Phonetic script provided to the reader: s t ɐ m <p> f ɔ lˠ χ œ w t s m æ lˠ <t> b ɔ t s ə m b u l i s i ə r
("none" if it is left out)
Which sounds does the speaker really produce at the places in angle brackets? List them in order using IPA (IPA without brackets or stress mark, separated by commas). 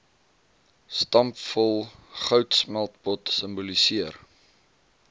p, t